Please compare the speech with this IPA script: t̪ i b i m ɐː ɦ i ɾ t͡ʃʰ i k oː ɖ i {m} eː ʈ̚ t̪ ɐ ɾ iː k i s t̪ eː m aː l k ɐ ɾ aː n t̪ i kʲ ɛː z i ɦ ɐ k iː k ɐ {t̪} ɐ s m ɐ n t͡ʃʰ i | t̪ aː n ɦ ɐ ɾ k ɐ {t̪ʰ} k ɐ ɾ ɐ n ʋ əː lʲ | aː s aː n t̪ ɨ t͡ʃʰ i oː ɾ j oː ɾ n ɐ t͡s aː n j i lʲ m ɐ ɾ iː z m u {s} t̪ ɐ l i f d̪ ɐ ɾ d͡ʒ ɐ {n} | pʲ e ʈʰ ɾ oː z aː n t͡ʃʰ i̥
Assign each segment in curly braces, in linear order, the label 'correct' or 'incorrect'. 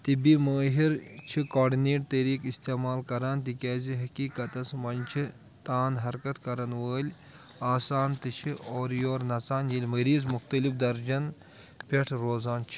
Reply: incorrect: n, correct, incorrect: t̪, incorrect: x, correct

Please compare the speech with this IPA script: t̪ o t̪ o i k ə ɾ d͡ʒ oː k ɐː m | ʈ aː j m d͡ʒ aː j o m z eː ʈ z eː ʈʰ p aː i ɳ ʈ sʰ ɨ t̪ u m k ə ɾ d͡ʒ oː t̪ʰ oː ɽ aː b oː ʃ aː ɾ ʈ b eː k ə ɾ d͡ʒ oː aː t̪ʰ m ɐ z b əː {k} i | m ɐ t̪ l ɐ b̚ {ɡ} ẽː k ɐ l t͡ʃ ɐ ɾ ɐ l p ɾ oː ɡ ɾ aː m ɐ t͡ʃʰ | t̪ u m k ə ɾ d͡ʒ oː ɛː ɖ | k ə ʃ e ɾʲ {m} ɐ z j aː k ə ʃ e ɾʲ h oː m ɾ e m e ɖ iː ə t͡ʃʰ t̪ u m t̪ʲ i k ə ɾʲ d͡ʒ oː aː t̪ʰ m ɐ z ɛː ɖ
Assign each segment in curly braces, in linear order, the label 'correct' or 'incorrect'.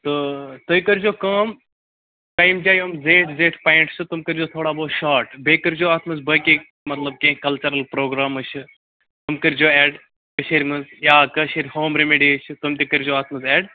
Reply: correct, incorrect: k, correct

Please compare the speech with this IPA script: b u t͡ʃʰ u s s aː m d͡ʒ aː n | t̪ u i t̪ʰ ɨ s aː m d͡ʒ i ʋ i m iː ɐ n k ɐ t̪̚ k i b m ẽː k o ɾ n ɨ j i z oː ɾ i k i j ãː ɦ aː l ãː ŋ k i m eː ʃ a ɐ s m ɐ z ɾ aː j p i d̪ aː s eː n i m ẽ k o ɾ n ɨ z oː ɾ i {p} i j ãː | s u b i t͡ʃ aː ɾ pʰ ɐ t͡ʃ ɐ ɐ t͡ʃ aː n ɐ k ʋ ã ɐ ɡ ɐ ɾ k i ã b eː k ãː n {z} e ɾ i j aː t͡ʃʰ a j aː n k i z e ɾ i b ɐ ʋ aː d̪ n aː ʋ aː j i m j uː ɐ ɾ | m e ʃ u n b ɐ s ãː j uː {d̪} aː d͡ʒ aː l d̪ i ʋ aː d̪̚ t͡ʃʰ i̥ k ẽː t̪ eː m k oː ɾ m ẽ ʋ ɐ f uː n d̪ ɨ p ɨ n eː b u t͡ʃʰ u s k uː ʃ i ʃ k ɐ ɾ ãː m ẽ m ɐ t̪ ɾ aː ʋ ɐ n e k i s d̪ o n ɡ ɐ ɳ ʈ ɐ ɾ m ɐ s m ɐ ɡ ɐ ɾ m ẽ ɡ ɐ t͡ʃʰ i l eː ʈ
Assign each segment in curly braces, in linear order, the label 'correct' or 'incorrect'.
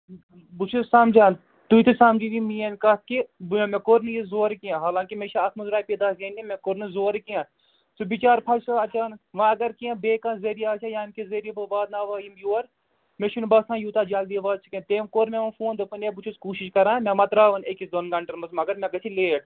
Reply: incorrect: k, correct, incorrect: t̪

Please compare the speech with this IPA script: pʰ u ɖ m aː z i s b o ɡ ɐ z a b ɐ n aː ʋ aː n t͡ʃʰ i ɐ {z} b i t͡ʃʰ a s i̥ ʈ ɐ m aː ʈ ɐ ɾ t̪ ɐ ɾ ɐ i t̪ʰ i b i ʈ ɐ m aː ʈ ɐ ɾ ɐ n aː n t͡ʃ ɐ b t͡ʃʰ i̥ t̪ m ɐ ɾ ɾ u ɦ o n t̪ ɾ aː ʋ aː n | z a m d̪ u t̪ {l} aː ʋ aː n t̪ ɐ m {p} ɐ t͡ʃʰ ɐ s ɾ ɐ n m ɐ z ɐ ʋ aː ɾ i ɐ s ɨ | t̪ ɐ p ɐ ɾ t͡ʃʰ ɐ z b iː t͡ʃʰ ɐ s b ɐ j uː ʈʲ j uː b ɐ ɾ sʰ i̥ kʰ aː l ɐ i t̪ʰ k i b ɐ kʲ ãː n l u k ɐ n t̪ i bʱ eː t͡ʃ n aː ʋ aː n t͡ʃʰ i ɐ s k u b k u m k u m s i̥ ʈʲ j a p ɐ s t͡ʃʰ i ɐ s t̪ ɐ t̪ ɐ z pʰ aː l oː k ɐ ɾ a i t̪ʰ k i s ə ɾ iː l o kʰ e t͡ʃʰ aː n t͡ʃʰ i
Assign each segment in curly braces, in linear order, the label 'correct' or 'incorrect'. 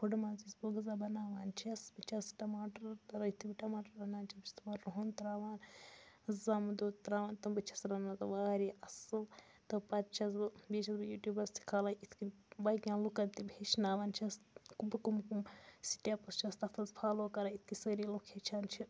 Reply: incorrect: s, incorrect: ɾ, incorrect: b

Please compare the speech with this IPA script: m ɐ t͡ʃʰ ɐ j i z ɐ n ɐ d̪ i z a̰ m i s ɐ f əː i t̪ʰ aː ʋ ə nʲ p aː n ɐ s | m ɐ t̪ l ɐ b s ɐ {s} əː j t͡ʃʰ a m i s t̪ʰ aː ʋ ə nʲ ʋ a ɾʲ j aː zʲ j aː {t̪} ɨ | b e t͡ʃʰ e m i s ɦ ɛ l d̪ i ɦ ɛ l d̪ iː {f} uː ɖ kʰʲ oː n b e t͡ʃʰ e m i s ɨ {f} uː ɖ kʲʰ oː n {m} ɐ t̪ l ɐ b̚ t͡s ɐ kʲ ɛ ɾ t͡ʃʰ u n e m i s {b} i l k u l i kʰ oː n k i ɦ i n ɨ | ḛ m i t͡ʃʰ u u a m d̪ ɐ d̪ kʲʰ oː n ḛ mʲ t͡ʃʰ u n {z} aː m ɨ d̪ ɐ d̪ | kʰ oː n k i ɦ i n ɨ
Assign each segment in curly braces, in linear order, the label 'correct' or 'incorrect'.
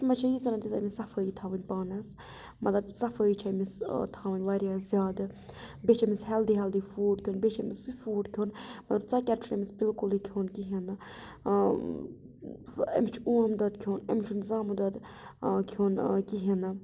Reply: incorrect: f, incorrect: d̪, correct, correct, correct, correct, correct

